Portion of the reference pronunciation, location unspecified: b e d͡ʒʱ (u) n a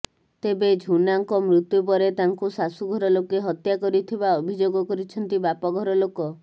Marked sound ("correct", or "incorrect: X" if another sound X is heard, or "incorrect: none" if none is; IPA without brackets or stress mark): correct